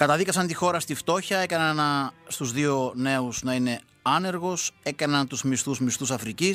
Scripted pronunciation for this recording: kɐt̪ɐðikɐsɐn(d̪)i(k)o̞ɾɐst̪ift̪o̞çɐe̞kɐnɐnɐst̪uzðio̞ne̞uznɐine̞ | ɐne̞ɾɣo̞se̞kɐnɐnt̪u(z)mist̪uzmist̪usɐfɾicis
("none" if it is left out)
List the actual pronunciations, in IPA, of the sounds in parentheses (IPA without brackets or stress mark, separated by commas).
t̪, x, z